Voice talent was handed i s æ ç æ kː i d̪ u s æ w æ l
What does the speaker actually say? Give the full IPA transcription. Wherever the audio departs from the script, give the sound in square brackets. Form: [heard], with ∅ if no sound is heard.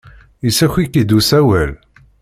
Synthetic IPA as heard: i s æ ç [i] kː i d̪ u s æ w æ l